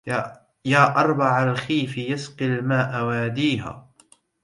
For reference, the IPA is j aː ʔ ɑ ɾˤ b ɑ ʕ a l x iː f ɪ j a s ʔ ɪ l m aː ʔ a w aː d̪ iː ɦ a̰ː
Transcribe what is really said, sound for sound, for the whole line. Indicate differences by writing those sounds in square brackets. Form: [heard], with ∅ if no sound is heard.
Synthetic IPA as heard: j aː ʔ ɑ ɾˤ b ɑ ʕ a l x iː f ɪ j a s [q] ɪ l m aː ʔ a w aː d̪ iː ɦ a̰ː

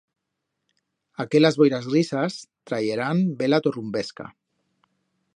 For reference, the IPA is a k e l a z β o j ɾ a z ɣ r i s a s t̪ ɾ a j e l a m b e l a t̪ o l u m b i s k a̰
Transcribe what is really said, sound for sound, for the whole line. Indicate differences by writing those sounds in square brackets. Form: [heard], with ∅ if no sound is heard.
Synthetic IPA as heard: a k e l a z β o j ɾ a z ɣ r i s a s t̪ ɾ a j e [ɾ] a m b e l a t̪ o [r] u m b [e] s k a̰

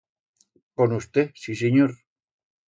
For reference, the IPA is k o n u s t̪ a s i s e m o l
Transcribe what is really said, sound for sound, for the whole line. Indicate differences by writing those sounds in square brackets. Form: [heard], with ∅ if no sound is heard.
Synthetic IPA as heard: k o n u s t̪ [e] s i s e [ɲ] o [ɾ]

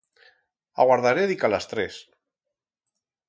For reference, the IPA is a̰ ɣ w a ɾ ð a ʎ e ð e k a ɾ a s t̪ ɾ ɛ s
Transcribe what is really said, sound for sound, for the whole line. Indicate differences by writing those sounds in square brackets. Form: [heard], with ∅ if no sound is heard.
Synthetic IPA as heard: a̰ ɣ w a ɾ ð a [ɾ] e ð [i] k a [l] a s t̪ ɾ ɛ s

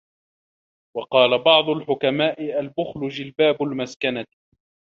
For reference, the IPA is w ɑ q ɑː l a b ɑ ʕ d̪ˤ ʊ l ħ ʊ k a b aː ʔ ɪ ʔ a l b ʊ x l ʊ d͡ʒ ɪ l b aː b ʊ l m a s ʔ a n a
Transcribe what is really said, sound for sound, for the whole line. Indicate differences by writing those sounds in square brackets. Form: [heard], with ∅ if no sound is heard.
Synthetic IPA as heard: w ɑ q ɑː l a b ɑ ʕ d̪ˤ ʊ l ħ ʊ k a [m] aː ʔ ɪ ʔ a l b ʊ x l ʊ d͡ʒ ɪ l b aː b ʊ l m a s [k] a n a

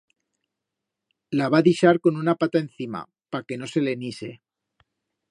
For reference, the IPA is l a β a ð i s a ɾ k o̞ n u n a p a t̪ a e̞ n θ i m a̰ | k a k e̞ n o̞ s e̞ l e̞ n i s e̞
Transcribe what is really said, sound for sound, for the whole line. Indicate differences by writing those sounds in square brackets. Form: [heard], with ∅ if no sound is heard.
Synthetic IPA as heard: l a β a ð i [ʃ] a ɾ k o̞ n u n a p a t̪ a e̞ n θ i m a̰ | [p] a k e̞ n o̞ s e̞ l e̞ n i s e̞

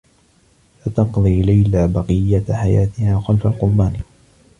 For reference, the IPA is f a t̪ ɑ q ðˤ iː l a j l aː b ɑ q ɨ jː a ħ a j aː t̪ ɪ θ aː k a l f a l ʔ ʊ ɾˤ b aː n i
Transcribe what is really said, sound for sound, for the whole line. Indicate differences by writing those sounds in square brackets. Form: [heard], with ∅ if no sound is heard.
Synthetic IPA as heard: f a t̪ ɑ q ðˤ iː l a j l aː b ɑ q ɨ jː a ħ a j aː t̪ ɪ [h] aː [x] a l f a l [q] ʊ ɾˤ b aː n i

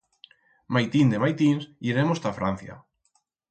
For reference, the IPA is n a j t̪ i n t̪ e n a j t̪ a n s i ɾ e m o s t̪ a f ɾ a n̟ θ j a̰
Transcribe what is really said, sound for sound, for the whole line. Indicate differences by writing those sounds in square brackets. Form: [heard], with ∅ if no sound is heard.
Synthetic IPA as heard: [m] a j t̪ i n [d̪] e [m] a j t̪ [i] n s i ɾ e m o s t̪ a f ɾ a n̟ θ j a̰

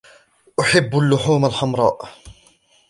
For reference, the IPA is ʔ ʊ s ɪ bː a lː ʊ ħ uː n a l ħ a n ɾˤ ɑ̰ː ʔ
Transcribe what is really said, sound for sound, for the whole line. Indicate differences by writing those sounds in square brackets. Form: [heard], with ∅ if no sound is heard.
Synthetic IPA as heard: ʔ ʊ [ħ] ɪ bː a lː ʊ ħ uː [m] a l ħ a [m] ɾˤ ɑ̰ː ʔ

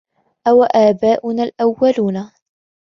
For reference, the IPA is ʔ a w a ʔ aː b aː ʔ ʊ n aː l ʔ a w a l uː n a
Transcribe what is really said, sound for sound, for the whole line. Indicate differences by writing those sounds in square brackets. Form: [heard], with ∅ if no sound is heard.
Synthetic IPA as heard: ʔ a w a ʔ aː b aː ʔ ʊ n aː l ʔ a [wː] a l uː n a

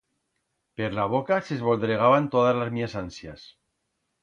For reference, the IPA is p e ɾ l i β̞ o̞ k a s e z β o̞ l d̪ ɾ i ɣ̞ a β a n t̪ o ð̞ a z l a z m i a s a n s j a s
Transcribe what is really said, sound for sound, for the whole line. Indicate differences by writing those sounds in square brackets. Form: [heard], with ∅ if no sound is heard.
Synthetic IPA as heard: p e ɾ l [a] β̞ o̞ k a s e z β o̞ l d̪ ɾ [e] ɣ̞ a β a n t̪ o ð̞ a z l a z m i a s a n s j a s

